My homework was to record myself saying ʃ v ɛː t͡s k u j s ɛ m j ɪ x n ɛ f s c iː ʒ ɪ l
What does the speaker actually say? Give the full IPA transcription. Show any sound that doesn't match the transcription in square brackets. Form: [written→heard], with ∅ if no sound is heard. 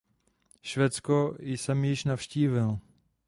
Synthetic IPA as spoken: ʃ v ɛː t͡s k [u→o] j s ɛ m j ɪ [x→ʃ] n [ɛ→a] f [s→ʃ] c iː [ʒ→v] ɪ l